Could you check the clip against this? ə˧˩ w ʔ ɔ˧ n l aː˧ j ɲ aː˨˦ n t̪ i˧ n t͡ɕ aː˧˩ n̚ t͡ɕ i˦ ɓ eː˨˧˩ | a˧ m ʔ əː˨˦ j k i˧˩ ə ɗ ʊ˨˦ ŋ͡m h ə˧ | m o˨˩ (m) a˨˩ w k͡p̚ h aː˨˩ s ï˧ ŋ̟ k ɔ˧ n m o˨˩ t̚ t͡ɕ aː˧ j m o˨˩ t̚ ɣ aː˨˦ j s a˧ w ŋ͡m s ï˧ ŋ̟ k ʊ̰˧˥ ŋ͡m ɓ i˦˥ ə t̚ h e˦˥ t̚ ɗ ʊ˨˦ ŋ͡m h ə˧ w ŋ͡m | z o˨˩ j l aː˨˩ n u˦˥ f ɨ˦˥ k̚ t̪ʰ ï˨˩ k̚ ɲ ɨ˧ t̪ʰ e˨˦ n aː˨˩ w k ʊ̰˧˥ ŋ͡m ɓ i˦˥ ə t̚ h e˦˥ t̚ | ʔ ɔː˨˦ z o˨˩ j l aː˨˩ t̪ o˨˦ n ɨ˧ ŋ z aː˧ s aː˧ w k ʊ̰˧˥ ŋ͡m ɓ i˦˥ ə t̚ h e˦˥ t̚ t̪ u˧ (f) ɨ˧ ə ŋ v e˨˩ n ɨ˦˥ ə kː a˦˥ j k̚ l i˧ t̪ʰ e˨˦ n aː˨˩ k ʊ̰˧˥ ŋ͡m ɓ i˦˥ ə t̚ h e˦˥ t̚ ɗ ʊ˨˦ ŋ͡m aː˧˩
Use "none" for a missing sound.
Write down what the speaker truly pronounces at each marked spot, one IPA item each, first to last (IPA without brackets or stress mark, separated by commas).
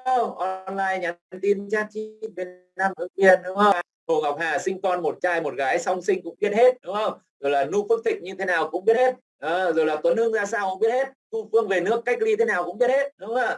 ŋ, f